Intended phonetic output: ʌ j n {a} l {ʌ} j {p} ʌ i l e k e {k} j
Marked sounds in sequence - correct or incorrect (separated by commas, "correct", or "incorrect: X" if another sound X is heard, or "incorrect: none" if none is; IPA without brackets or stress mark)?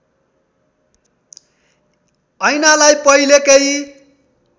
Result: correct, incorrect: a, correct, incorrect: none